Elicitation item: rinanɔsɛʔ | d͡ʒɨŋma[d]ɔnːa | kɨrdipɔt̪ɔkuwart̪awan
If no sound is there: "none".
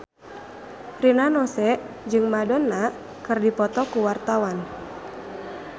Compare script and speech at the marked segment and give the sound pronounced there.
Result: d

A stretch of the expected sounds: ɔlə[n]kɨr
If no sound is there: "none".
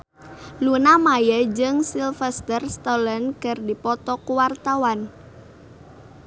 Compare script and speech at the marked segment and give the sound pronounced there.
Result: n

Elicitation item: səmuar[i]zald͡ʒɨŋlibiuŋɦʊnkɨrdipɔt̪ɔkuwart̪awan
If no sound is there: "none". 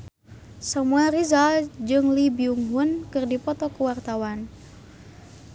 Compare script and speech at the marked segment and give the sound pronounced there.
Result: i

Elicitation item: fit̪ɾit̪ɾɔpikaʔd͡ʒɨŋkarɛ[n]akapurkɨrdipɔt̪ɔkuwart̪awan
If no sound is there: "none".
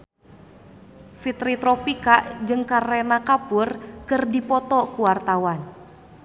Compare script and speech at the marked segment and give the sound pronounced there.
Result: n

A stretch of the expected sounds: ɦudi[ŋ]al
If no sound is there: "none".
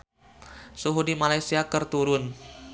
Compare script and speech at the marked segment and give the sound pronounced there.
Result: m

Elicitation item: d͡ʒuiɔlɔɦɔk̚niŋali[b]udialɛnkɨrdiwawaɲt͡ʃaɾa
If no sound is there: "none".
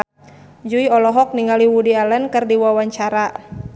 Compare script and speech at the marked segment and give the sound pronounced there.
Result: w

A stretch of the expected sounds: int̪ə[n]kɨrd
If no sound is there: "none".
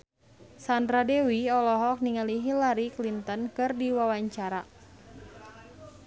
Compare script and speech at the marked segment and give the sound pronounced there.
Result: n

